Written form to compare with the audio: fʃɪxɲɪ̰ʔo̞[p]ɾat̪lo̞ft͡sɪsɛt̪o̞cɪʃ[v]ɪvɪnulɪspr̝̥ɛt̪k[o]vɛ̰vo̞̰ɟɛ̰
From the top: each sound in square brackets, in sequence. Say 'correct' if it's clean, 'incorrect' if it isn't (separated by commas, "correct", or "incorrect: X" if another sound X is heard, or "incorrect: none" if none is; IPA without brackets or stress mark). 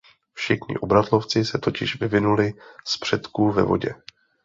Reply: incorrect: b, correct, incorrect: u